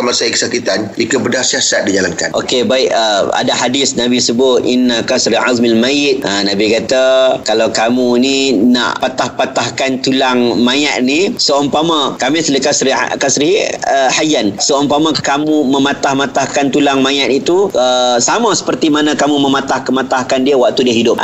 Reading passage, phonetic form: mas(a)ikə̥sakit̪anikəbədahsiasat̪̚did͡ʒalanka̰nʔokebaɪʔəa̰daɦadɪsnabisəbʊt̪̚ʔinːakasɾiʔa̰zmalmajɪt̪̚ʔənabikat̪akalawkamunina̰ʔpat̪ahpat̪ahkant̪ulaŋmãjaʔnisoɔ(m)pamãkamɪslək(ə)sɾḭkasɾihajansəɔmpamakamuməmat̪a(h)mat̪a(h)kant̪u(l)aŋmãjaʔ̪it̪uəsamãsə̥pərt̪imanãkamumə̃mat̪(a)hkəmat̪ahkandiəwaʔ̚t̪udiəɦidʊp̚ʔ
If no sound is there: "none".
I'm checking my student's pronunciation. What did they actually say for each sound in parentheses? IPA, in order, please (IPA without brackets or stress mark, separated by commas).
a, m, a, h, h, l, a